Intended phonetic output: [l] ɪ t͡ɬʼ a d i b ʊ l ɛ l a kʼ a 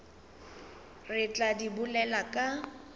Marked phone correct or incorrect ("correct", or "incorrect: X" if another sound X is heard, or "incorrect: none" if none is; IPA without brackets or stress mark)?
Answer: incorrect: r